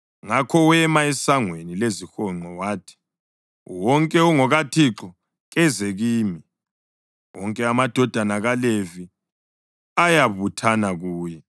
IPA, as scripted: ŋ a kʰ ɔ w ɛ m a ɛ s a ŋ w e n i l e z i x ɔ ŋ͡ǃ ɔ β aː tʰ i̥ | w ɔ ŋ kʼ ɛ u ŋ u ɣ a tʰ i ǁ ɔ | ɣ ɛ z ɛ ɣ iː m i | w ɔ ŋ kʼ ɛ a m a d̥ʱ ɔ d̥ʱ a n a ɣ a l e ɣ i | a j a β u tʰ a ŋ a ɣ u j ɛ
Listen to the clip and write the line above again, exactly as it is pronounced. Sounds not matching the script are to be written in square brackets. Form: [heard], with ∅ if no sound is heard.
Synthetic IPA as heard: ŋ a kʰ ɔ w ɛ m a ɛ s a ŋ w e n i l e z i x ɔ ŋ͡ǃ ɔ [w] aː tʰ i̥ | w ɔ ŋ kʼ ɛ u ŋ [ɔ] ɣ a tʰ i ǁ ɔ | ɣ ɛ z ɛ ɣ iː m i | w ɔ ŋ kʼ ɛ a m a d̥ʱ ɔ d̥ʱ a n a ɣ a l e [v] i | a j a β u tʰ a [n] a ɣ [uː] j ɛ